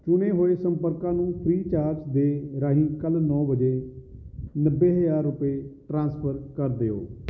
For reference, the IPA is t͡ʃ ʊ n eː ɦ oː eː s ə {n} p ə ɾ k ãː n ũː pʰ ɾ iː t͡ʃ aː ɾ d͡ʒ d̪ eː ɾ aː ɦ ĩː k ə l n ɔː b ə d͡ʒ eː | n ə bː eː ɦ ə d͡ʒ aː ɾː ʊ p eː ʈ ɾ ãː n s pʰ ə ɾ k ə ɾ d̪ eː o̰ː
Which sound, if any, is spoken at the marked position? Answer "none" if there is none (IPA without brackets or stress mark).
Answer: m